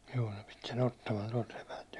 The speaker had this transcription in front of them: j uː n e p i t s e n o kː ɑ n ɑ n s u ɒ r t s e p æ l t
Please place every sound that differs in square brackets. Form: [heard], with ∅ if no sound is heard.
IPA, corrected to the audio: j uː n e p i t s e n o [tː] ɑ [m] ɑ n [t] u ɒ [l] t s e p æ l t